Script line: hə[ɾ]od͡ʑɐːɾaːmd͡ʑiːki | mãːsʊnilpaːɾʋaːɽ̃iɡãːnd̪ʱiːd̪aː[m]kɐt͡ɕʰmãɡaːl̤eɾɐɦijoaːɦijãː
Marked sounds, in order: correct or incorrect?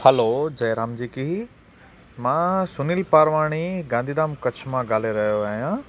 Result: incorrect, correct

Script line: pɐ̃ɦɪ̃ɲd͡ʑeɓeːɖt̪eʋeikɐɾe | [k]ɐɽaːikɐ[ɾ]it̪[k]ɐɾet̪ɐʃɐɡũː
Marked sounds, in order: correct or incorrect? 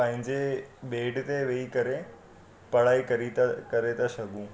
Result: incorrect, correct, correct

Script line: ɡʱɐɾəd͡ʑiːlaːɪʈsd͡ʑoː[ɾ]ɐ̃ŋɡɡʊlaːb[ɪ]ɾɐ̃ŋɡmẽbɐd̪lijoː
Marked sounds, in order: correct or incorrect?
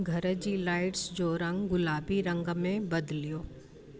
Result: correct, incorrect

